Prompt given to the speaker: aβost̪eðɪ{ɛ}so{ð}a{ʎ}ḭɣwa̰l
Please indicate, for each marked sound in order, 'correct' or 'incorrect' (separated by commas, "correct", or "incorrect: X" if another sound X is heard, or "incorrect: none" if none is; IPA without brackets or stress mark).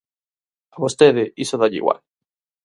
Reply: incorrect: i, correct, correct